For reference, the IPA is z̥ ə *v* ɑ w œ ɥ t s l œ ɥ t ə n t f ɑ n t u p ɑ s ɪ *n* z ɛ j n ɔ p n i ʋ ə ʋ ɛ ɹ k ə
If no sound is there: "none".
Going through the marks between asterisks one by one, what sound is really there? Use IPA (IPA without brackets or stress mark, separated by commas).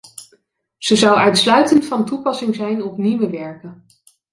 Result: z, ŋ